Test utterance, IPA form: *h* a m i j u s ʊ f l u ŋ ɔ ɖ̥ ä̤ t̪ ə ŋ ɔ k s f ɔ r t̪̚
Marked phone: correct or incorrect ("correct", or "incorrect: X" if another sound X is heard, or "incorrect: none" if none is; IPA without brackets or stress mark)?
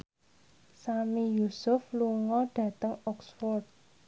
incorrect: s